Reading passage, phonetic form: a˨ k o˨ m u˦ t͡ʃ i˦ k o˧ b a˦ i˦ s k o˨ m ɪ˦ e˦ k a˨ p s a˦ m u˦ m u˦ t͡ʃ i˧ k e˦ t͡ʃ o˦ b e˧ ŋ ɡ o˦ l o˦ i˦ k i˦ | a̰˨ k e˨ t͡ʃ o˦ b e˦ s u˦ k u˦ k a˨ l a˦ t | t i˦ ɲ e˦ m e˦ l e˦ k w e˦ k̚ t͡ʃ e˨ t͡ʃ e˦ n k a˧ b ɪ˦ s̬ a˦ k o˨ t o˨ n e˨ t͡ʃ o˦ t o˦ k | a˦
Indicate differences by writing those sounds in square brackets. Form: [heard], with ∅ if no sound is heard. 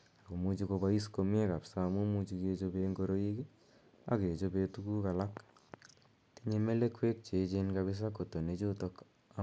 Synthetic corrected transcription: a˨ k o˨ m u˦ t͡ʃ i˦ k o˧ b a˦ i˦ s k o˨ m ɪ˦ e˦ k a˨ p s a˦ m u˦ m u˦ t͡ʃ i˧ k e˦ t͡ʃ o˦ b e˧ ŋ ɡ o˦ [ɾ] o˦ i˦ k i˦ | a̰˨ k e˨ t͡ʃ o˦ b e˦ [t] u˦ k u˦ k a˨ l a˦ [k] | t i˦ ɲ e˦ m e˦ l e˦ k w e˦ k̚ t͡ʃ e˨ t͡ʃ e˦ n k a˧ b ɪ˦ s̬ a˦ k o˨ t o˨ n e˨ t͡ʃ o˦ t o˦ k | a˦